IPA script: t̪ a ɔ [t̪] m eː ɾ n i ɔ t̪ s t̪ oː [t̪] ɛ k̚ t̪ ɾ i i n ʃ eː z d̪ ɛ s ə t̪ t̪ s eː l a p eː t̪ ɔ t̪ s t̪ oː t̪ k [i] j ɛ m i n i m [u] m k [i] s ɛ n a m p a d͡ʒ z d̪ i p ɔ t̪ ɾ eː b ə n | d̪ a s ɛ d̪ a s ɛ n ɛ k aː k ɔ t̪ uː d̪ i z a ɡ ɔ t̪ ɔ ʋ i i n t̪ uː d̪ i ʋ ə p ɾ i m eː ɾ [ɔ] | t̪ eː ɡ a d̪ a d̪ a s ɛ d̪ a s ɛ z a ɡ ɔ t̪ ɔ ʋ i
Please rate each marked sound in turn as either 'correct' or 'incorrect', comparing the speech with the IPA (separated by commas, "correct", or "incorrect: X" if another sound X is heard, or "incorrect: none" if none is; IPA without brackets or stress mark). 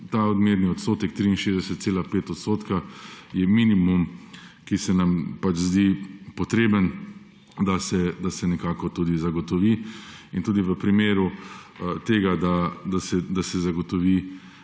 incorrect: d̪, correct, incorrect: a, correct, correct, incorrect: u